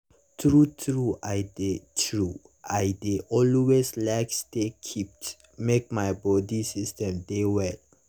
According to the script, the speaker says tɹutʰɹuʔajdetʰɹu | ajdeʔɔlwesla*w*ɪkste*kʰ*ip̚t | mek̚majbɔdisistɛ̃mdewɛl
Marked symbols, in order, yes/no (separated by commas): no, yes